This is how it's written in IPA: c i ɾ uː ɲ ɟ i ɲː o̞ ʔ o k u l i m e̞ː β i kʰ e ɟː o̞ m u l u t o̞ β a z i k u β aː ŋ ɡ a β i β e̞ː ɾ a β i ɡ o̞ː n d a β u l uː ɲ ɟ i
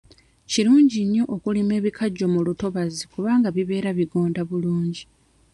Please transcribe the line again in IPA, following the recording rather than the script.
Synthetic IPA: c i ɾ uː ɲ ɟ i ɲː o̞ ʔ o k u l i m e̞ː β i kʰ a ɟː o̞ m u l u t o̞ β a z i k u β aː ŋ ɡ a β i β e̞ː ɾ a β i ɡ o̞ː n d a β u l uː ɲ ɟ i